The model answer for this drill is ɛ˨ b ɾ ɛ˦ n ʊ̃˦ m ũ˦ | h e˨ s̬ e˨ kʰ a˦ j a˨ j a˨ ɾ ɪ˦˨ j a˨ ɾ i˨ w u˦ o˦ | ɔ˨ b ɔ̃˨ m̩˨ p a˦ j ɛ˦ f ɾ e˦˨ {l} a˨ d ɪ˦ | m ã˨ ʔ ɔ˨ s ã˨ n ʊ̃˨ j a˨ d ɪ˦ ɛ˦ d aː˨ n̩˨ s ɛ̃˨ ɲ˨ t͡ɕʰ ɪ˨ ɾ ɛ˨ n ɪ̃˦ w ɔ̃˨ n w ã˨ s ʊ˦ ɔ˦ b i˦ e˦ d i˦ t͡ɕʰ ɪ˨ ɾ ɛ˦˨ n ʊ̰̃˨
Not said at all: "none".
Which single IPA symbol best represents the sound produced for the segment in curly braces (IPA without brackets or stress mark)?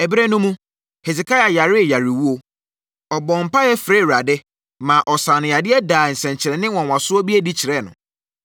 ɾ